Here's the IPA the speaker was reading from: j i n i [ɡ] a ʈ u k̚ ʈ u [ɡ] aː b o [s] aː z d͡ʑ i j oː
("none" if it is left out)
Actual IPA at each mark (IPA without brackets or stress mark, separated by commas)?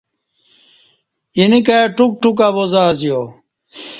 k, k, z